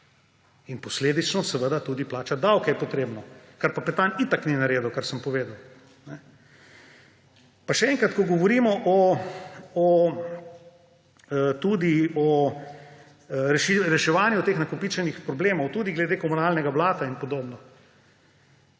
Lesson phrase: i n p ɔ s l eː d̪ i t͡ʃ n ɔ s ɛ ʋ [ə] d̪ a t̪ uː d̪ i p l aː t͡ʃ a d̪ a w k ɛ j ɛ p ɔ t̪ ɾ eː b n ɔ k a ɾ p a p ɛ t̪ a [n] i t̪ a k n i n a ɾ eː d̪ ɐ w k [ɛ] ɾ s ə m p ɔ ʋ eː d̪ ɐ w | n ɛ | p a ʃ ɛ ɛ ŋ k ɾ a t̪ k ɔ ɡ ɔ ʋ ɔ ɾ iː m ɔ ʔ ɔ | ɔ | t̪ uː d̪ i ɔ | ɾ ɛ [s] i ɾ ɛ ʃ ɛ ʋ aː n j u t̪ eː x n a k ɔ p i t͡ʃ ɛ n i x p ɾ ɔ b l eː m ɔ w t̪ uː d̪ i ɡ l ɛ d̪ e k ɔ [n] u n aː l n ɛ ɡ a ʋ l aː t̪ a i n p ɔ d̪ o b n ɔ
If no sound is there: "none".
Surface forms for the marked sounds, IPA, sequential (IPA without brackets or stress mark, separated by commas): ə, n, a, ʃ, m